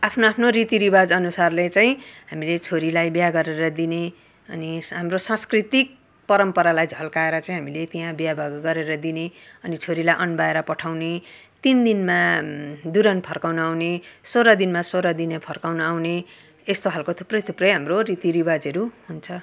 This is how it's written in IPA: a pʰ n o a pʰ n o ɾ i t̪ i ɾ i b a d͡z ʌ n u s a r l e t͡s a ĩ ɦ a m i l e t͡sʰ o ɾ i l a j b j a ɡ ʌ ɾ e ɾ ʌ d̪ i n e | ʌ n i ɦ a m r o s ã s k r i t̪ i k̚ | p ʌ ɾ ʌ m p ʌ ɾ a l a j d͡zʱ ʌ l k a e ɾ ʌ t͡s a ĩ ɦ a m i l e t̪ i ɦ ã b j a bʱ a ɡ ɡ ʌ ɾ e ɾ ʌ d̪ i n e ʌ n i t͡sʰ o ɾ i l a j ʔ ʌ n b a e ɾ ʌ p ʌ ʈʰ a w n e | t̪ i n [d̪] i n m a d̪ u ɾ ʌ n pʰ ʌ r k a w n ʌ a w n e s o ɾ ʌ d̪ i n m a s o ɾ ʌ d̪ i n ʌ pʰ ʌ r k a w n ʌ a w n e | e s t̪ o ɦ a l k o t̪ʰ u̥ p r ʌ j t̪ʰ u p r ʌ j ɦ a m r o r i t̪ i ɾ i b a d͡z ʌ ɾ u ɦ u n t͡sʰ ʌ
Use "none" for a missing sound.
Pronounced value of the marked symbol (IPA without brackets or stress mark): d̪